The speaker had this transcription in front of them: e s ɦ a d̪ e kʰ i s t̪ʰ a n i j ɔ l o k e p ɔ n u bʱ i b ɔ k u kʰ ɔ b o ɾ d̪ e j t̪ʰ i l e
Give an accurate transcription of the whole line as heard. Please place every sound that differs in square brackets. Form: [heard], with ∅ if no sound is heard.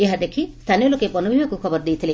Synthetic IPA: e [∅] ɦ a d̪ e kʰ i s t̪ʰ a n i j ɔ l o k e p ɔ n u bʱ i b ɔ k u kʰ ɔ b [ɔ] ɾ d̪ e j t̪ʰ i l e